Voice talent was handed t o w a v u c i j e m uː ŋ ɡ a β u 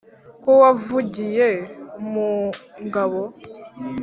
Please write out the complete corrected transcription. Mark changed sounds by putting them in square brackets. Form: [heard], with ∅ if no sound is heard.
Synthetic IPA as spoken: [k] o w a v u [ɟ] i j e m [u] ŋ ɡ a β [o]

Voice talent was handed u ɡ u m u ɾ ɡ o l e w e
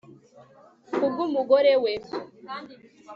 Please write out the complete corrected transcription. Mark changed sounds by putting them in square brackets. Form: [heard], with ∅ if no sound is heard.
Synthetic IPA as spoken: u ɡ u m u [∅] ɡ o [ɾ] e w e

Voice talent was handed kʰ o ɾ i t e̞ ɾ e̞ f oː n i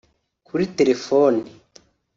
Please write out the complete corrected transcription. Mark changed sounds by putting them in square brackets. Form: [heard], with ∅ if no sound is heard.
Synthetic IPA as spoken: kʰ [u] ɾ i t e̞ ɾ e̞ f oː n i

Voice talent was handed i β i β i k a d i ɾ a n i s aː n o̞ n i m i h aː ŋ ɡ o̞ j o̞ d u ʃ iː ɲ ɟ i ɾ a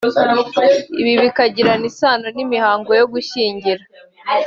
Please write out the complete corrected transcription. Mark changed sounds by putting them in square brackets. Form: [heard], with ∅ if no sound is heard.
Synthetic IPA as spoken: i β i β i k a [ɟ] i ɾ a n i s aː n o̞ n i m i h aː ŋ ɡ o̞ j o̞ [ɡ] u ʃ iː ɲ ɟ i ɾ a

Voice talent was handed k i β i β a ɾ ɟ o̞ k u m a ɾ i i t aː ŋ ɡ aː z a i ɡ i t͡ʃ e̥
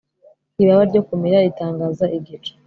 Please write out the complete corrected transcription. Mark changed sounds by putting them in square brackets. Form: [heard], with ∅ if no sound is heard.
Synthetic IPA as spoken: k i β [a] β a ɾ ɟ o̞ k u m [i] ɾ [a] i t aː ŋ ɡ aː z a i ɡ i t͡ʃ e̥

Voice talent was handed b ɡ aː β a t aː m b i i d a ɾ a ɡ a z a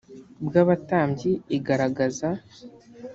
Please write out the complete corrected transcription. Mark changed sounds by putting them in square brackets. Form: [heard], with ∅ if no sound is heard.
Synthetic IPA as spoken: b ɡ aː β a t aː m [ɟ] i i [ɡ] a ɾ a ɡ a z a

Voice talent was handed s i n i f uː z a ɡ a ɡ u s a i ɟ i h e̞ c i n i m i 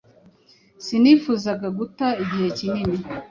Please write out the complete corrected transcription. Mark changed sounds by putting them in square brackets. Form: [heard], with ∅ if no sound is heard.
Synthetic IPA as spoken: s i n i f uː z a ɡ a ɡ u [t] a i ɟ i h e̞ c i n i [n] i

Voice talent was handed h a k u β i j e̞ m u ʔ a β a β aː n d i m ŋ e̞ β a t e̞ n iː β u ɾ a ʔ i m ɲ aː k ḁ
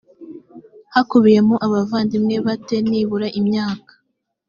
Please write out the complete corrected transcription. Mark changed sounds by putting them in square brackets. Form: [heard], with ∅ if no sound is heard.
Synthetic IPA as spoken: h a k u β i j e̞ m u ʔ a β a [v] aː n d i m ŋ e̞ β a t e̞ n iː β u ɾ a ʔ i m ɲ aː k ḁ

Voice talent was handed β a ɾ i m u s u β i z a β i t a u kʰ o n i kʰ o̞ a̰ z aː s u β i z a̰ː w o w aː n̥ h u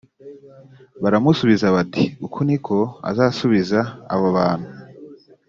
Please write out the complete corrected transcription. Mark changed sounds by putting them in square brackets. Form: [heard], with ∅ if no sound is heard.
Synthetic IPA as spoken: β a ɾ [a] m u s u β i z a β [a] t [i] u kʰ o n i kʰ o̞ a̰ z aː s u β i z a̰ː [β] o [β] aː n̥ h u

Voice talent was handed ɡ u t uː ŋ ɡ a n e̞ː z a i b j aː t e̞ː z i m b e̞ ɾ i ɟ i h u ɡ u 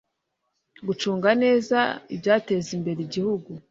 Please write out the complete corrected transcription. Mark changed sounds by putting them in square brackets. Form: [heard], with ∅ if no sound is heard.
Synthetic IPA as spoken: ɡ u [t͡ʃ] uː ŋ ɡ a n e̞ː z a i b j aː t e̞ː z i m b e̞ ɾ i ɟ i h u ɡ u

